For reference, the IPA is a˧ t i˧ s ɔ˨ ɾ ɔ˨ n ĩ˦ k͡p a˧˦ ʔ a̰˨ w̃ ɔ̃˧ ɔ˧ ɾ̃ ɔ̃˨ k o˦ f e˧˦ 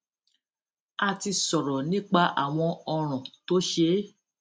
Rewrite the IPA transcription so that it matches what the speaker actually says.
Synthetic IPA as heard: a˧ t i˧ s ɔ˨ ɾ ɔ˨ n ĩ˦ k͡p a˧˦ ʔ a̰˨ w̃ ɔ̃˧ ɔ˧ ɾ̃ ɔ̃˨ t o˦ ʃ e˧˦